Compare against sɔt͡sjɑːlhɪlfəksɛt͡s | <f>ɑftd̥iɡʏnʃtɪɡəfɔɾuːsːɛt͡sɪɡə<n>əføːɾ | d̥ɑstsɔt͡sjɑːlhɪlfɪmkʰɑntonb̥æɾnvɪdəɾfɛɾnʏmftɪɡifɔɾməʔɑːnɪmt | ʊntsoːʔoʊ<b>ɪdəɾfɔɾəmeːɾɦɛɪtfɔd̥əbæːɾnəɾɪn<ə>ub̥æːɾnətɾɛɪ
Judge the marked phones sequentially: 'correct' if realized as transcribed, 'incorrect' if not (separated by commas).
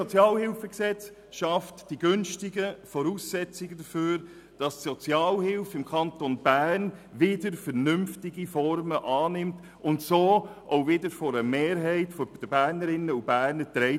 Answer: incorrect, incorrect, incorrect, correct